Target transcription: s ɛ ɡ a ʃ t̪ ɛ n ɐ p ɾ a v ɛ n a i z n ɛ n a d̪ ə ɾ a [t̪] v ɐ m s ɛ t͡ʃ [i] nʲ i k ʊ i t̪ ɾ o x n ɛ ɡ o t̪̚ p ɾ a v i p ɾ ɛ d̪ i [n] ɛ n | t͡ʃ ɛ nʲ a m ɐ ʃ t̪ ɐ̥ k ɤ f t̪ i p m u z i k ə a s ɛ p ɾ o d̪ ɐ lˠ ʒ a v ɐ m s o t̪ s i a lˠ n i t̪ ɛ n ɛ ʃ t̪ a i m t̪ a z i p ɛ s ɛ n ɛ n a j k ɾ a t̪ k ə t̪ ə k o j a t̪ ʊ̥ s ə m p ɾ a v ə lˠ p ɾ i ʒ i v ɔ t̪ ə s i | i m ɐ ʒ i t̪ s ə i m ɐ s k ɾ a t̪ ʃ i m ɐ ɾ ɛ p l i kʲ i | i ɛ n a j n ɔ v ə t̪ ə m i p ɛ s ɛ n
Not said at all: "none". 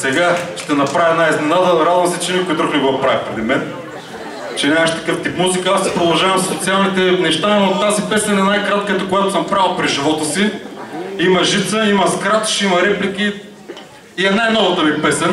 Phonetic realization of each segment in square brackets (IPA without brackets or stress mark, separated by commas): d̪, ɛ, m